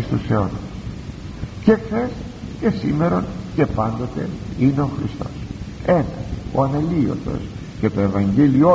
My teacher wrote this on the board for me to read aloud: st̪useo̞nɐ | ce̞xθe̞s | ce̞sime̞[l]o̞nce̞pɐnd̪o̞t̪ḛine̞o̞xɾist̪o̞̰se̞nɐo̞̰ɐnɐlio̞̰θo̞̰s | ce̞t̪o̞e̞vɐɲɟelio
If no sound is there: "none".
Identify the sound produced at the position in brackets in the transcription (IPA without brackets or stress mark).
ɾ